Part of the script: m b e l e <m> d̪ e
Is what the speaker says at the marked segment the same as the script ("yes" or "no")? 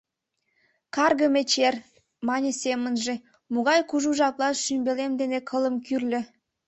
yes